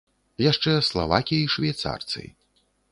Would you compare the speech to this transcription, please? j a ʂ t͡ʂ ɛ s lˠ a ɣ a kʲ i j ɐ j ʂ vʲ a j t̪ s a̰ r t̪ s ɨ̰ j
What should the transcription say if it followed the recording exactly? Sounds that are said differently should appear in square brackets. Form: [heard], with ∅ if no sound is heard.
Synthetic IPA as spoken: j a ʂ t͡ʂ ɛ s lˠ a [v] a kʲ i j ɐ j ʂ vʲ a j t̪ s a̰ r t̪ s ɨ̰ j